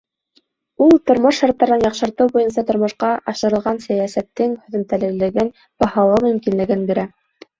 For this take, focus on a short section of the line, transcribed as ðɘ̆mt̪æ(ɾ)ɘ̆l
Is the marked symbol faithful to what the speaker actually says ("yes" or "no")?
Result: no